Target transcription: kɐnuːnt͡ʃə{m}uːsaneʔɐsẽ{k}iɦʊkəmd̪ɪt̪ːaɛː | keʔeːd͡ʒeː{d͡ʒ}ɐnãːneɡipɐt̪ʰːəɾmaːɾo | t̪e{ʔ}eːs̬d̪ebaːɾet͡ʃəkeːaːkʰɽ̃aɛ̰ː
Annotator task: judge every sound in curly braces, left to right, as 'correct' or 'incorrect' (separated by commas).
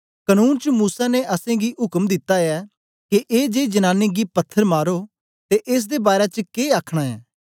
correct, incorrect, correct, correct